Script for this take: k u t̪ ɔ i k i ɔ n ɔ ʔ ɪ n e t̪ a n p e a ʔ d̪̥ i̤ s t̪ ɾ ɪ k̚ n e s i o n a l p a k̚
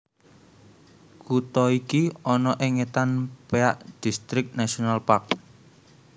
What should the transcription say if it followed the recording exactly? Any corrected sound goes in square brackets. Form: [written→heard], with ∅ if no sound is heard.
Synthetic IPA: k u t̪ ɔ i k i ɔ n ɔ ʔ ɪ [n→ŋ] e t̪ a n p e a ʔ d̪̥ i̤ s t̪ ɾ ɪ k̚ n [e→a] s i o n a l p a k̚